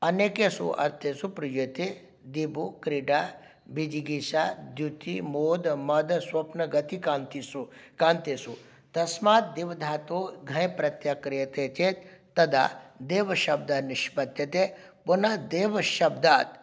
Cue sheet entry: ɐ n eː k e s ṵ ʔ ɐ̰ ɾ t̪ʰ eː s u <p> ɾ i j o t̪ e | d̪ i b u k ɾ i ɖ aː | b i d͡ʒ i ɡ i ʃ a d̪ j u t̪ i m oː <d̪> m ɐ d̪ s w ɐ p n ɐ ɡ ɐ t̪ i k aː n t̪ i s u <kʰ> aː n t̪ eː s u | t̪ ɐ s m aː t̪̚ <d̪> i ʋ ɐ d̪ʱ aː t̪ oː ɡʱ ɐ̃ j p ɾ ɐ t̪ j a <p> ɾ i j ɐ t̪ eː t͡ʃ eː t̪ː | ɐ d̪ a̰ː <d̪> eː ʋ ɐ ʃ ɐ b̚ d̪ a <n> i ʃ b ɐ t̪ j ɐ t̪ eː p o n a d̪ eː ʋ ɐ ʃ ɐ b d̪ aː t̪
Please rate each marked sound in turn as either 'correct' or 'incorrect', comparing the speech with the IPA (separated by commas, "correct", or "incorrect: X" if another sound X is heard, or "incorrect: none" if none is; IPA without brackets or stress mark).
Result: correct, correct, incorrect: k, correct, incorrect: k, correct, correct